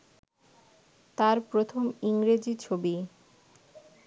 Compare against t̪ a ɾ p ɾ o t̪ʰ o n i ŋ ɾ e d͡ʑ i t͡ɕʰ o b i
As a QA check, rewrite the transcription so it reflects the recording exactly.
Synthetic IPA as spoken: t̪ a ɾ p ɾ o t̪ʰ o m i ŋ ɾ e d͡ʑ i t͡ɕʰ o b i